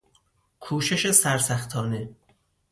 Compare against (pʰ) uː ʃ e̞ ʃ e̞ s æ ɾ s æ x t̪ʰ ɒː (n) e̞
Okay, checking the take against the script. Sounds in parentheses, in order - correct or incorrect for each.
incorrect: kʰ, correct

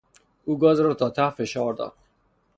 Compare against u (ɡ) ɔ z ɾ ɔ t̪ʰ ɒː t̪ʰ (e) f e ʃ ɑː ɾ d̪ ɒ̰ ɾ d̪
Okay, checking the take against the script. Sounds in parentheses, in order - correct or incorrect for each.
correct, incorrect: a

